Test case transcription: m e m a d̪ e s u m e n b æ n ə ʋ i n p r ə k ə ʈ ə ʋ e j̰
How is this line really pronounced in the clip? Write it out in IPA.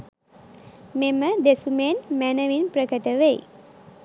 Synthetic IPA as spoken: m e m ə d̪ e s u m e n m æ n ə ʋ i n p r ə k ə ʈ ə ʋ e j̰